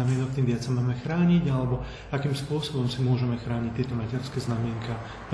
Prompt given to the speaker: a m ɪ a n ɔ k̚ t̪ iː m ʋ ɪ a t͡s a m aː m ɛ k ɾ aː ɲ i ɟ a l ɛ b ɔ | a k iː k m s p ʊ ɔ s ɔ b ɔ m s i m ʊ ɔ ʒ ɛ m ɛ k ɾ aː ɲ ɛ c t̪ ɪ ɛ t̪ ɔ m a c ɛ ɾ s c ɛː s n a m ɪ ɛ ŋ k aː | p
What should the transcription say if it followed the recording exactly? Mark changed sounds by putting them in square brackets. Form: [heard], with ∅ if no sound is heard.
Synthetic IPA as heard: a m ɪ [ɛ] n ɔ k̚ t̪ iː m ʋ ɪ a t͡s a m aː m ɛ [x] ɾ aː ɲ i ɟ a l ɛ b ɔ | a k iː [∅] m s p ʊ ɔ s ɔ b ɔ m s i m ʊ ɔ ʒ ɛ m ɛ [x] ɾ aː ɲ [i] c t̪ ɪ ɛ t̪ ɔ m a c ɛ ɾ s [k] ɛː [z] n a m ɪ ɛ ŋ k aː | p